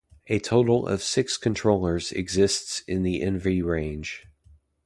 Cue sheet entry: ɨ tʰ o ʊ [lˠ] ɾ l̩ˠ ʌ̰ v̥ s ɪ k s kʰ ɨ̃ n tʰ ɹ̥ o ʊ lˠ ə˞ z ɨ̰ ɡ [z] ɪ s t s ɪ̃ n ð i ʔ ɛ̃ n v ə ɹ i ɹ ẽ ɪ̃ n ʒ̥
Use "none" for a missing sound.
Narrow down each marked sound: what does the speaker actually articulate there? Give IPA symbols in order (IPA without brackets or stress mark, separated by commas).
none, z